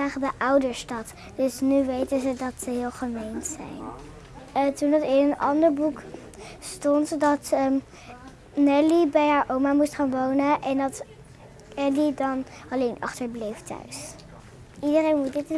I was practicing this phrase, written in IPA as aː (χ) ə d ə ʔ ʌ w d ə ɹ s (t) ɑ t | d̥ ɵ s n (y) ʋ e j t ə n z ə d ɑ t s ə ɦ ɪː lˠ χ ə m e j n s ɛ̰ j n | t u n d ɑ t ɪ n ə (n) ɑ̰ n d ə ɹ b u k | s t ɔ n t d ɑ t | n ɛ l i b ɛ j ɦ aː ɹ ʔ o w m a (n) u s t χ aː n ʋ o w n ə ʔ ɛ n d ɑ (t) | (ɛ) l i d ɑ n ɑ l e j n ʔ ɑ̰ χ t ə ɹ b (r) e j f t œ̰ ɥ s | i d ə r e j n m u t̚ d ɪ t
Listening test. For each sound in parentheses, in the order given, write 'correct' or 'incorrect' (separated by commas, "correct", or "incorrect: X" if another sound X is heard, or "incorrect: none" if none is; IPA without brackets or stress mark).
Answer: correct, correct, correct, correct, incorrect: m, correct, correct, incorrect: l